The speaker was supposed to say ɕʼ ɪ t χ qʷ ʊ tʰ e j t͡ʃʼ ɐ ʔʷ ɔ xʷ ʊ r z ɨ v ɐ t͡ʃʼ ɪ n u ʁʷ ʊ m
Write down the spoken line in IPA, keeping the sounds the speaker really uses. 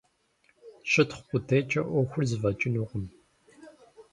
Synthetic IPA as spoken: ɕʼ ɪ t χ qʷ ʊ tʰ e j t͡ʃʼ ɐ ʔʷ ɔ xʷ ʊ r z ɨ v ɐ t͡ʃʼ ɪ n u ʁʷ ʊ m

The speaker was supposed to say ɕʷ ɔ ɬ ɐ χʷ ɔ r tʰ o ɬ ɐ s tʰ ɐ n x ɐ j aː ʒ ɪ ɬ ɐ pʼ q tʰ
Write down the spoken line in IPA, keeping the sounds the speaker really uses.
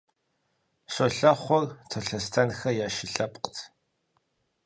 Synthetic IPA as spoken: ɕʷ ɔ ɬ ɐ χʷ ɔ r tʰ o ɬ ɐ s tʰ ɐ n x ɐ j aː ʃ ɪ ɬ ɐ pʼ q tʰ

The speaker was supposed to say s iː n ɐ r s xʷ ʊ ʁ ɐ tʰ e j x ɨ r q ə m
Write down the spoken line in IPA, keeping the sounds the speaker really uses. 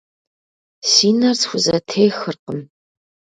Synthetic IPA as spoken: s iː n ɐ r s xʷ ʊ z ɐ tʰ e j x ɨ r q ə m

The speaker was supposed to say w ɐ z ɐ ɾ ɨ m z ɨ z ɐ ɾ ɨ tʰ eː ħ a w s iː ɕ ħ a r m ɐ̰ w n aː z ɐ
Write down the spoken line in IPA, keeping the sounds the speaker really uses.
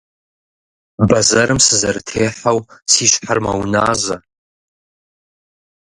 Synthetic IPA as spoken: b ɐ z ɐ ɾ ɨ m s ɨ z ɐ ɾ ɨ tʰ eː ħ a w s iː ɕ ħ a r m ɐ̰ w n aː z ɐ

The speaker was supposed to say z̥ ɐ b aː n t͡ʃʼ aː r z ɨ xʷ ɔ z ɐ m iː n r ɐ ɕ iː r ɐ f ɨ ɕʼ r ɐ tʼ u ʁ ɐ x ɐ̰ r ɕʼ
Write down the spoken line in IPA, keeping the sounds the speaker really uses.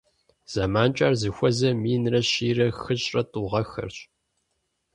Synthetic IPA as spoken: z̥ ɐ m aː n t͡ʃʼ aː r z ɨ xʷ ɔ z ɐ m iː n r ɐ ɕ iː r ɐ x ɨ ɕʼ r ɐ tʼ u ʁ ɐ x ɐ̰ r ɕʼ

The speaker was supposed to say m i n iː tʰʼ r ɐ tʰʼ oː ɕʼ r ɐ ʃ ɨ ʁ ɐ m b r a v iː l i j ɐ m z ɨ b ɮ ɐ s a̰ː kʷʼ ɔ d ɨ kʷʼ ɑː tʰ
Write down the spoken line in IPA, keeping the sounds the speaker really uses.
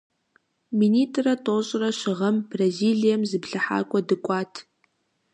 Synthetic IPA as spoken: m i n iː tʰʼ r ɐ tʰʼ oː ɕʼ r ɐ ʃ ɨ ʁ ɐ m b r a z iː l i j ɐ m z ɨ b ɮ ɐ ħ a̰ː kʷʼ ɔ d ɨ kʷʼ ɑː tʰ

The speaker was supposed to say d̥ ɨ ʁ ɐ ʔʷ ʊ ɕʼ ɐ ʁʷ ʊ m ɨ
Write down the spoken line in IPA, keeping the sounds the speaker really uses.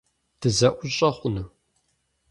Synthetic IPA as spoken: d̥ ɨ z ɐ ʔʷ ʊ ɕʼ ɐ χʷ ʊ n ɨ

